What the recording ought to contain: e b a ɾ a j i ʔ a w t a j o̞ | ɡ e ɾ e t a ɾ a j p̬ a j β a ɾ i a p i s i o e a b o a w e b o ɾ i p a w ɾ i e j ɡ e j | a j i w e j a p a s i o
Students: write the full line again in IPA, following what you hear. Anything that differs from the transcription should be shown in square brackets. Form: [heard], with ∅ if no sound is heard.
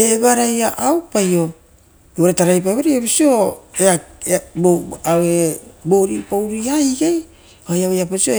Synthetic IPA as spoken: e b a ɾ a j [a] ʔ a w [p] a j o̞ | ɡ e ɾ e t a ɾ a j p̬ a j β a ɾ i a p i s i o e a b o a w e b o ɾ i p a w ɾ i [a] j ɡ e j | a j [a] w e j a p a s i o